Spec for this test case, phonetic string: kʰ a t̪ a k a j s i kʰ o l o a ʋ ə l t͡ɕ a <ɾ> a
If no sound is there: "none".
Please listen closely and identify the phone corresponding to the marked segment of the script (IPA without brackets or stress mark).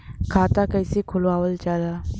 l